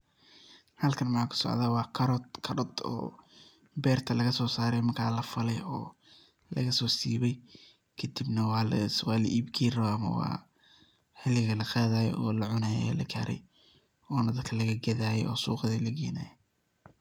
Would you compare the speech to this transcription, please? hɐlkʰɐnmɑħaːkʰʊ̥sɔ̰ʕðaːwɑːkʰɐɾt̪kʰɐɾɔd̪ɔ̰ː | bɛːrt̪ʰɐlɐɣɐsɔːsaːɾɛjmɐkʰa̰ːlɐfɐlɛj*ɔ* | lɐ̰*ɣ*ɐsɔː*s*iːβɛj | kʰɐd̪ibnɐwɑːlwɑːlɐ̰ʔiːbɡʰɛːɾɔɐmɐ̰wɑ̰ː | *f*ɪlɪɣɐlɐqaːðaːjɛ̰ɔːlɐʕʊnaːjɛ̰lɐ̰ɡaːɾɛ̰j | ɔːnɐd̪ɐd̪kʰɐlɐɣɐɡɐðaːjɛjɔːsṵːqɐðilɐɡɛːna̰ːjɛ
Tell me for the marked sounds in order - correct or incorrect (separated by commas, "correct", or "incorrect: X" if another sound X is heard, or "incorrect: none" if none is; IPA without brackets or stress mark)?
incorrect: ɔː, correct, correct, incorrect: ħ